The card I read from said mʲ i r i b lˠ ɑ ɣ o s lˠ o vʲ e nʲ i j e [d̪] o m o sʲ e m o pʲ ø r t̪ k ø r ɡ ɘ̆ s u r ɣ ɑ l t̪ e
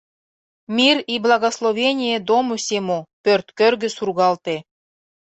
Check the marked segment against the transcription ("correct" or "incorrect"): correct